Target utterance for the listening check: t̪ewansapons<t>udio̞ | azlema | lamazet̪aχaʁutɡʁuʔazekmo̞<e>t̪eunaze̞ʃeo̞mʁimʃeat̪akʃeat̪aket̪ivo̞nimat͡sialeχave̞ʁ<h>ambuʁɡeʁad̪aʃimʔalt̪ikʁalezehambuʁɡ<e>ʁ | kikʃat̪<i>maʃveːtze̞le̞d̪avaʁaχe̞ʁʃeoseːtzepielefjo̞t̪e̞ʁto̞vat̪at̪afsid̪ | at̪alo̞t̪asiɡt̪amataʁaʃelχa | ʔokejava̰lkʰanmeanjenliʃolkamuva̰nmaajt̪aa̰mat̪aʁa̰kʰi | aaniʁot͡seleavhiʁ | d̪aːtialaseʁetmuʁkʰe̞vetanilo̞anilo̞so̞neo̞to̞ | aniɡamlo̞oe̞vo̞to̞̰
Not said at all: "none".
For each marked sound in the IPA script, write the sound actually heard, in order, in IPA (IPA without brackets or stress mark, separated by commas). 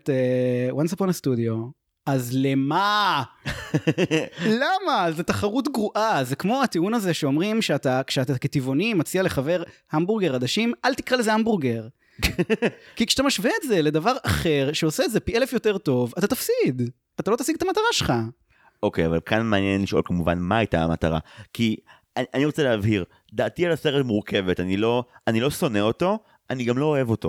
t, a, h, e, a